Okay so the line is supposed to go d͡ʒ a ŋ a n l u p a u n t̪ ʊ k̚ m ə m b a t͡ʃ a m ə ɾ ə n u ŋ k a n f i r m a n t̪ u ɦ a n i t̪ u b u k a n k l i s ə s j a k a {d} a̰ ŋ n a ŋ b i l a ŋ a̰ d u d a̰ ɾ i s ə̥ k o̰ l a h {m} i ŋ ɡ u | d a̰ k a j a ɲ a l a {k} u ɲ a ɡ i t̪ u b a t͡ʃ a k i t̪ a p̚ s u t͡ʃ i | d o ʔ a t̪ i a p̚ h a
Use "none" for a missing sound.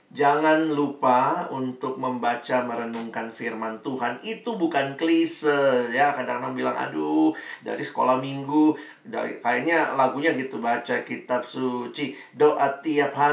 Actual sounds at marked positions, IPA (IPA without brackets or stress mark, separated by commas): d, m, ɡ